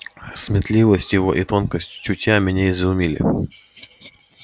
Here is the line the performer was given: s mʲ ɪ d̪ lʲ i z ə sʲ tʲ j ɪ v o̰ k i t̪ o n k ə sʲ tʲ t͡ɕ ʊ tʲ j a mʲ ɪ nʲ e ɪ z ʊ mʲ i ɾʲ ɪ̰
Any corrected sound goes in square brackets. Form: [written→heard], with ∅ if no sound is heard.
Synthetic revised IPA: s mʲ ɪ [d̪→t̪] lʲ i [z→v] ə sʲ tʲ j ɪ v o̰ [k→ʔ] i t̪ o n k ə sʲ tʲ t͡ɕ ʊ tʲ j a mʲ ɪ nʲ e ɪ z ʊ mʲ i [ɾʲ→lʲ] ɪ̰